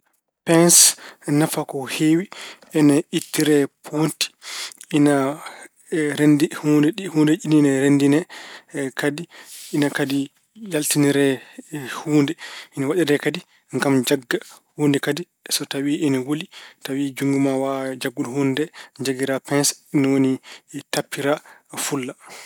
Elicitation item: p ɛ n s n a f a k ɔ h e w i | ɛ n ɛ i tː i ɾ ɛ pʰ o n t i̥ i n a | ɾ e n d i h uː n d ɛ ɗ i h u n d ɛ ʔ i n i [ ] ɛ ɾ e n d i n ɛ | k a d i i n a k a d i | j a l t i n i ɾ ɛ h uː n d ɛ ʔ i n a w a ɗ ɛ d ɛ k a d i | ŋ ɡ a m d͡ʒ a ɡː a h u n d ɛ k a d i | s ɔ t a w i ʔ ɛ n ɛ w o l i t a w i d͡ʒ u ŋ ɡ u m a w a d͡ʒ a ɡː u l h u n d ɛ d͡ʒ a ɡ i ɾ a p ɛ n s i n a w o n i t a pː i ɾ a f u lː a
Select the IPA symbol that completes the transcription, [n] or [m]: n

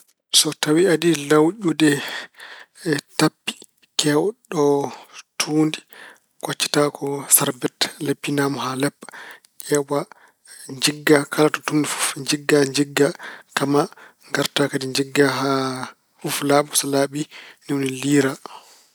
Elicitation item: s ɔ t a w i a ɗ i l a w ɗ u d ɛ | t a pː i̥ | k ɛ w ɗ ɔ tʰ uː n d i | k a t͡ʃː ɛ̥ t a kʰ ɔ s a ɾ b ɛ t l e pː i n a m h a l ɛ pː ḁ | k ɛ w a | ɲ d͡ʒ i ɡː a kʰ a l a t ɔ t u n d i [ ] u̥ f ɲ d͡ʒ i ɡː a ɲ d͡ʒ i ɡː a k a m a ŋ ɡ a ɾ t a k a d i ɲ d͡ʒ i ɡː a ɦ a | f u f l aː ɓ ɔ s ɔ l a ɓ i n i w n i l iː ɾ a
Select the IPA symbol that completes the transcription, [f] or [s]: f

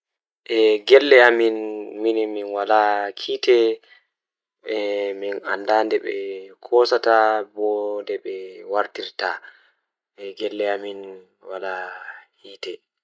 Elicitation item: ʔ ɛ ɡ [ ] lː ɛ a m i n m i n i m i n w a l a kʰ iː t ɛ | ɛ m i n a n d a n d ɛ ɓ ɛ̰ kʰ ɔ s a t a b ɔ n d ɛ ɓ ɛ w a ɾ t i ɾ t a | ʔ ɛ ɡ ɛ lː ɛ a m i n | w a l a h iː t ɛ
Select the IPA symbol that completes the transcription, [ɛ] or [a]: ɛ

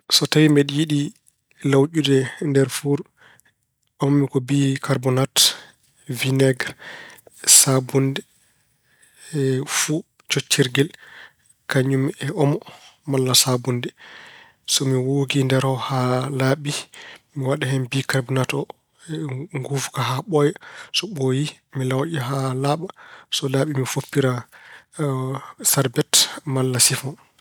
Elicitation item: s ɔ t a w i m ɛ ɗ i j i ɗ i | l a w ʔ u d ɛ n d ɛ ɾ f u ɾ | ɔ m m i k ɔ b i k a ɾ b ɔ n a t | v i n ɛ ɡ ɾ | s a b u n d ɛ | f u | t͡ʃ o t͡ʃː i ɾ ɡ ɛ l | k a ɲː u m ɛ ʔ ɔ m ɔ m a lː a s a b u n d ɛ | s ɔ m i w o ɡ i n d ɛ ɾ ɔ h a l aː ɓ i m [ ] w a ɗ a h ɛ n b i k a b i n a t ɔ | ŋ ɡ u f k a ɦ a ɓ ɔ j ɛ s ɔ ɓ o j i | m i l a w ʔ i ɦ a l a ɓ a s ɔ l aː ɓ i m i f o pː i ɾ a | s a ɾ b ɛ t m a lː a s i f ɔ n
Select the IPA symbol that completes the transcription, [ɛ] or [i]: i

